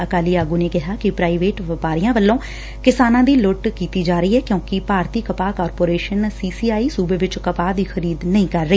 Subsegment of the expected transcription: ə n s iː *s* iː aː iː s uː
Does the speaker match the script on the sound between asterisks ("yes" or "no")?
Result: yes